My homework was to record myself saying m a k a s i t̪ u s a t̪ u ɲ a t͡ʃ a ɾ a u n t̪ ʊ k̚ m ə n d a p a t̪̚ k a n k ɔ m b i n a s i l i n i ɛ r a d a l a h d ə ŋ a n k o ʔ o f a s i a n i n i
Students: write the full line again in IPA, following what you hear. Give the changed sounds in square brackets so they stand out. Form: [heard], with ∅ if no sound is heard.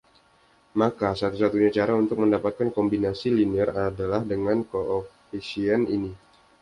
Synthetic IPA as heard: m a k a s [a] t̪ u s a t̪ u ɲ a t͡ʃ a ɾ a u n t̪ ʊ k̚ m ə n d a p a t̪̚ k a n k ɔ m b i n a s i l i n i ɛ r a d a l a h d ə ŋ a n k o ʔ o f [i] s i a n i n i